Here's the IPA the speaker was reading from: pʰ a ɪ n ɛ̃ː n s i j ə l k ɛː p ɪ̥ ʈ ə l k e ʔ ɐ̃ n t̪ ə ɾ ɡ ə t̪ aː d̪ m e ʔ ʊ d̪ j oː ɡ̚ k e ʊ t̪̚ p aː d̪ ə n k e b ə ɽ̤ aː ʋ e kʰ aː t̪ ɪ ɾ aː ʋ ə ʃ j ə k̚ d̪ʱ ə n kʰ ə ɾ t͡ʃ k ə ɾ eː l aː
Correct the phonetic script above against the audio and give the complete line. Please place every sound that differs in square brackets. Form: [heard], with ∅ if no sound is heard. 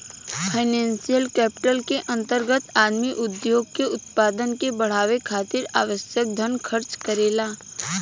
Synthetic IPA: pʰ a ɪ n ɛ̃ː n s i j ə l k ɛː p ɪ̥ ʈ ə l k e ʔ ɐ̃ n t̪ ə ɾ ɡ ə t̪ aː d̪ m [i] ʔ ʊ d̪ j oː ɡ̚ k e ʊ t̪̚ p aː d̪ ə n k e b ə ɽ̤ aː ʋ e kʰ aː t̪ ɪ ɾ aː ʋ ə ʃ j ə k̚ d̪ʱ ə n kʰ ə ɾ t͡ʃ k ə ɾ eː l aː

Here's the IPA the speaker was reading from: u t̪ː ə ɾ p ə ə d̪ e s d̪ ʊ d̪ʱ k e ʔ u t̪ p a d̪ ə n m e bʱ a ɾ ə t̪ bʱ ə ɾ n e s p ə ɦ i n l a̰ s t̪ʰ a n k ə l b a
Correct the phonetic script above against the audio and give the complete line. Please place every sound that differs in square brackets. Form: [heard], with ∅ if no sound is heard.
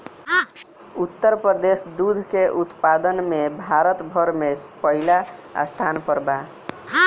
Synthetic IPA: u t̪ː ə ɾ p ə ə d̪ e s d̪ [u] d̪ʱ k e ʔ u t̪ p a d̪ ə n m e bʱ a ɾ ə t̪ bʱ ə ɾ [m] e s p ə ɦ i [∅] l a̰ s t̪ʰ a n [p] ə [ɾ] b a

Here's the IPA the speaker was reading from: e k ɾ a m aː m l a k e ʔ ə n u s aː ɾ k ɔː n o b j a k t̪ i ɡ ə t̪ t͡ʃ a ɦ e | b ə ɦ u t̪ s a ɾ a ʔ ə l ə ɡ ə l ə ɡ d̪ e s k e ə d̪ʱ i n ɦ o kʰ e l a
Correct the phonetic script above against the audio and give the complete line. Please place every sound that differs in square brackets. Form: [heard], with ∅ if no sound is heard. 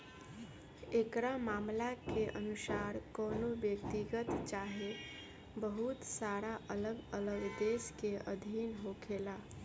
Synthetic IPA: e k ɾ a m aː m l a k e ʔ ə n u s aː ɾ k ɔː n o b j [ə] k t̪ i ɡ ə t̪ t͡ʃ a ɦ e | b ə ɦ u t̪ s a ɾ a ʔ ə l ə ɡ ə l ə ɡ d̪ e s k e ə d̪ʱ i n ɦ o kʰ e l a

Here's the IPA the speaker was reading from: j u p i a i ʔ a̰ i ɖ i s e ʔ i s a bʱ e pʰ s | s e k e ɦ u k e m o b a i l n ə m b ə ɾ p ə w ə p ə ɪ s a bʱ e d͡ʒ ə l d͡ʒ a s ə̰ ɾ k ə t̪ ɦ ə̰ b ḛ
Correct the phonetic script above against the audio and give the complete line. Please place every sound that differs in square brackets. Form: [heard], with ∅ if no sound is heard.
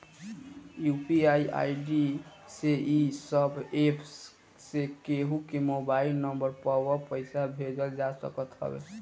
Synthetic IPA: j u p i a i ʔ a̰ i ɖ i s e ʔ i s [ə] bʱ e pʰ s | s e k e ɦ u k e m o b a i l n ə m b ə ɾ p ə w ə p ə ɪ s a bʱ e d͡ʒ ə l d͡ʒ a s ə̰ [∅] k ə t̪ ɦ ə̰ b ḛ

